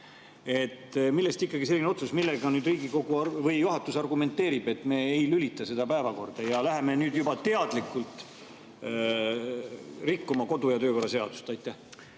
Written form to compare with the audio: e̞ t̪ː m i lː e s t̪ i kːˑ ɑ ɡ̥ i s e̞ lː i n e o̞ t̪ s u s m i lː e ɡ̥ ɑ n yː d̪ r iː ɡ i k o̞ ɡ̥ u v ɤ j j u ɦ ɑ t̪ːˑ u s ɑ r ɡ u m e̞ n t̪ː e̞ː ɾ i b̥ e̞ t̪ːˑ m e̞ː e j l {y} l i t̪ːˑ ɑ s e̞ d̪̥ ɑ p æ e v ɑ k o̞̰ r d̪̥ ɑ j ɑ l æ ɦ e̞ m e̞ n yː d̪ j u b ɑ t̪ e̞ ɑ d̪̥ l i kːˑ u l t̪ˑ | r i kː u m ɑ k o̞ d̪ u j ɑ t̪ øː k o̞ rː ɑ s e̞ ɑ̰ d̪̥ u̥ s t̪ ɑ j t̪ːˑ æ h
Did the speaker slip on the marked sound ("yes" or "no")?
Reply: no